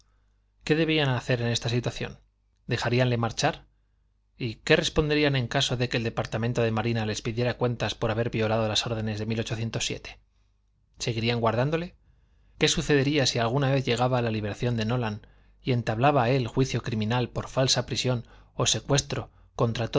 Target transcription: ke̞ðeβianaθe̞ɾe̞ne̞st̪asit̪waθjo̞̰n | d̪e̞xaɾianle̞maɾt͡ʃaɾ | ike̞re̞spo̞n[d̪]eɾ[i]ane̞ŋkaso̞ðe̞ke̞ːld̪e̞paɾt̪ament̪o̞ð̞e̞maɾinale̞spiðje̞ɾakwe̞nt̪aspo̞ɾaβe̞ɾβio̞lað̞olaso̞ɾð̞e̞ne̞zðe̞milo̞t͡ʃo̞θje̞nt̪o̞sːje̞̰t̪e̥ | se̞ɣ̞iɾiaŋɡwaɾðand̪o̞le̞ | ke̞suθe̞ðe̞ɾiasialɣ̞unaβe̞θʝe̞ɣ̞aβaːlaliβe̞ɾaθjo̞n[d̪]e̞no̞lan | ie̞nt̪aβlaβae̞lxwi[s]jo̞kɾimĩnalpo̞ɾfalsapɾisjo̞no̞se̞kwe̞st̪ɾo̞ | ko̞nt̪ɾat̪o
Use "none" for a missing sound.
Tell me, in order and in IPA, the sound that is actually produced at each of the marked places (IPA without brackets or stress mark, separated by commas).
d̪, i, d̪, θ